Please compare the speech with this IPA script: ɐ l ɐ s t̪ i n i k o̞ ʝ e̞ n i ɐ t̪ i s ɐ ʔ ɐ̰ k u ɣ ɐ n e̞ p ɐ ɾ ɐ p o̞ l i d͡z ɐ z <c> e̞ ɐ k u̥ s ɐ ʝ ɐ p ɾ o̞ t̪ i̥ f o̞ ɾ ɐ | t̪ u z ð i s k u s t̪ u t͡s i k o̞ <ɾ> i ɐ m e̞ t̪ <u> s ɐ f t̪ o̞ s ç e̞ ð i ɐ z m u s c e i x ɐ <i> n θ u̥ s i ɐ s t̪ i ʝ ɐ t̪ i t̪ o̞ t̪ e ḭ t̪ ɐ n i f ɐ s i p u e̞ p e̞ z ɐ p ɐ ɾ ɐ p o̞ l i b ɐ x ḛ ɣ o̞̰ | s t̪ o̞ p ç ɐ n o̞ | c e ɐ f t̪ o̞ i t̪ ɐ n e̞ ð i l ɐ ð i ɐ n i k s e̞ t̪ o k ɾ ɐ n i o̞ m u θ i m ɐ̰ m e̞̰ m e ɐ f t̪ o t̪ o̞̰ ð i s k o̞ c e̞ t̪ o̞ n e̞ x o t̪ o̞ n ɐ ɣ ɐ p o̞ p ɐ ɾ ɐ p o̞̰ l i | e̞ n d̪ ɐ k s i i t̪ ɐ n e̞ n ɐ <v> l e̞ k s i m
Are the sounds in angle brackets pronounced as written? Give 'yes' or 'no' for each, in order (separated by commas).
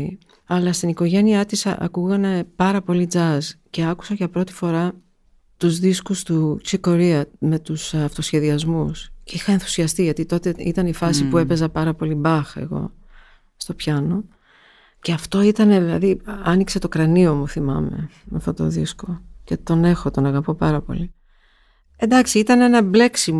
yes, yes, yes, no, no